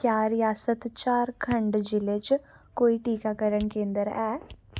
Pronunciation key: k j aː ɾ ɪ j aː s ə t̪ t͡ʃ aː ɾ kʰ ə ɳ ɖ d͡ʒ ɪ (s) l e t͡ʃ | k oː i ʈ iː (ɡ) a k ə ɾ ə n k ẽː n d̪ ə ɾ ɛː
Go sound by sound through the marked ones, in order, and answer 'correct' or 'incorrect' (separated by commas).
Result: incorrect, incorrect